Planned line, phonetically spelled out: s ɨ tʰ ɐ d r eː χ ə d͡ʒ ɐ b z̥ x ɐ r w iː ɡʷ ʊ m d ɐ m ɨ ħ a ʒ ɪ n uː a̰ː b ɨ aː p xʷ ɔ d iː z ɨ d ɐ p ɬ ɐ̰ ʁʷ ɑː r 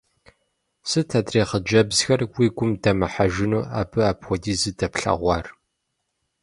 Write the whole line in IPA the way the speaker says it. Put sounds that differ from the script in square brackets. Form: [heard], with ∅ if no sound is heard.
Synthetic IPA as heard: s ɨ tʰ ɐ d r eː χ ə d͡ʒ ɐ b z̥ x ɐ r w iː ɡʷ ʊ m d ɐ m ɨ ħ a ʒ ɪ n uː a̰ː b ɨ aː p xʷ ɔ d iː z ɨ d ɐ p ɬ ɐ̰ ʁʷ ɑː r